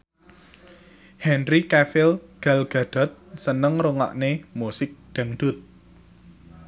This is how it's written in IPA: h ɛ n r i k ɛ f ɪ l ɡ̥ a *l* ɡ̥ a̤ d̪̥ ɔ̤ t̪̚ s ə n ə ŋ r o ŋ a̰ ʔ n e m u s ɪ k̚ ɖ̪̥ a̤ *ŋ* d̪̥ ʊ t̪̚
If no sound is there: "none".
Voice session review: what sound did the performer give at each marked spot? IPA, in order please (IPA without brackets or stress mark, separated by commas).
l, ŋ